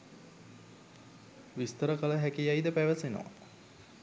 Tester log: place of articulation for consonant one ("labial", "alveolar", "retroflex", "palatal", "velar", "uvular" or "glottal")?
labial